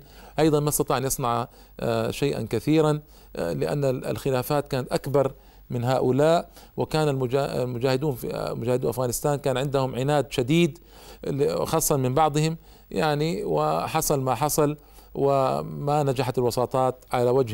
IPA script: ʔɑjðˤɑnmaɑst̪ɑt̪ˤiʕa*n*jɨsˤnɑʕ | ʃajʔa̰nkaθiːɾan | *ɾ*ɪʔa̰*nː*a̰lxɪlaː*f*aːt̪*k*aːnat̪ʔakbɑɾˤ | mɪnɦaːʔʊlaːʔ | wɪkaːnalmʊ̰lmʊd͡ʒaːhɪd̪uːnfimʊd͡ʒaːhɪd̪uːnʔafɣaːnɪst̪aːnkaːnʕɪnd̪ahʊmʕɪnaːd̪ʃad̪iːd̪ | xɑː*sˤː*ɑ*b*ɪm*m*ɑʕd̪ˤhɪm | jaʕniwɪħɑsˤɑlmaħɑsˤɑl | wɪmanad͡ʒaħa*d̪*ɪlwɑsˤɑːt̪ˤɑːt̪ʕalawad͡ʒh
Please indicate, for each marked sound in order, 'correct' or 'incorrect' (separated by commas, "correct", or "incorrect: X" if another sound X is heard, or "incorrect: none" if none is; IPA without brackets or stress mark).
correct, incorrect: l, correct, correct, correct, correct, incorrect: m, incorrect: b, incorrect: t̪